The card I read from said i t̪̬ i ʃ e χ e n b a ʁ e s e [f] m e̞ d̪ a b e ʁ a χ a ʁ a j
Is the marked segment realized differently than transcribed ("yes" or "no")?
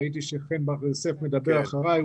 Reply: no